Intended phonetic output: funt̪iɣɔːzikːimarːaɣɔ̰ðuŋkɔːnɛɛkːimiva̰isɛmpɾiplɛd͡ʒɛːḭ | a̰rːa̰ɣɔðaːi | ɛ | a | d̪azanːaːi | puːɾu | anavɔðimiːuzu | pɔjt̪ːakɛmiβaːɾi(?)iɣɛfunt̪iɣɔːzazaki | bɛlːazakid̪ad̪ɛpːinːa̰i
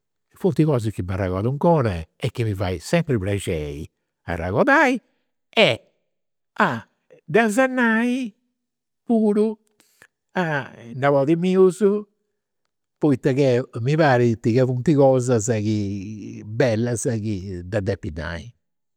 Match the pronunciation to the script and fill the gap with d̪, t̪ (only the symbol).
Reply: t̪